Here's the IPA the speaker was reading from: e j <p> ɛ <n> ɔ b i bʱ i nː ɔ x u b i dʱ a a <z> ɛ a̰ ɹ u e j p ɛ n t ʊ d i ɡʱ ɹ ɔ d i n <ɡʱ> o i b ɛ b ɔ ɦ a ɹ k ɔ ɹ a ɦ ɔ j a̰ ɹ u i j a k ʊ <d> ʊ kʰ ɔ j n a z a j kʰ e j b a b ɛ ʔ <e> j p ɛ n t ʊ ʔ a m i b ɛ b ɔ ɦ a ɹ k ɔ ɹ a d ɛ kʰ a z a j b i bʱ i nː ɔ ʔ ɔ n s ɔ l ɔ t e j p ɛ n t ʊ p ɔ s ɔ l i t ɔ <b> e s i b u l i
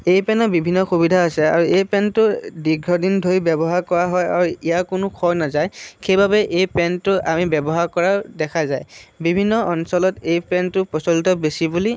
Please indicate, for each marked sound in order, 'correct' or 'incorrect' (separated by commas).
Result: correct, correct, incorrect, incorrect, incorrect, correct, correct